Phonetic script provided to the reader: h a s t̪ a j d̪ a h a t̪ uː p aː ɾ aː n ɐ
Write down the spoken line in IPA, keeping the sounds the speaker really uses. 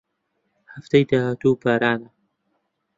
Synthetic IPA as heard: h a f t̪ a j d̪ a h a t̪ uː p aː ɾ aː n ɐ